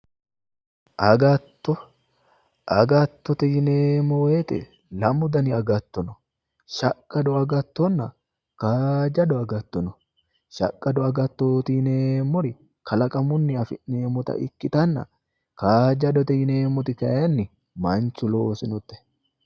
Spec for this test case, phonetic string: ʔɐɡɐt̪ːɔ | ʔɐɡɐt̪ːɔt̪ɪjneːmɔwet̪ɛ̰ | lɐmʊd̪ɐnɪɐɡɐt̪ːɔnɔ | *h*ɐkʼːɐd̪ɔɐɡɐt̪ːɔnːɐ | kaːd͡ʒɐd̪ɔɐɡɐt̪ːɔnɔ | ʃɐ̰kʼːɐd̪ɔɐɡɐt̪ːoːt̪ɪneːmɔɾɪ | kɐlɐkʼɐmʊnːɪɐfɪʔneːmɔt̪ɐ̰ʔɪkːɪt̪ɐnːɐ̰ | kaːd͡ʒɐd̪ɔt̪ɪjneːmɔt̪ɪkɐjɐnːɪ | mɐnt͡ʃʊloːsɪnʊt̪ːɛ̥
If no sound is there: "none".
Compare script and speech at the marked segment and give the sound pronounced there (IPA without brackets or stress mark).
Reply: ʃ